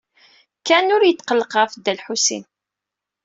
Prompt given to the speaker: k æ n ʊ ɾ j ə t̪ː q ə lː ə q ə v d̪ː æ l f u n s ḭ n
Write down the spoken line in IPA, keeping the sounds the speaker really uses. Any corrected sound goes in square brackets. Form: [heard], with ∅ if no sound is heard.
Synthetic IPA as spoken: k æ n ʊ ɾ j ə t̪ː q ə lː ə q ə [f] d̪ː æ l [ħ] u [∅] s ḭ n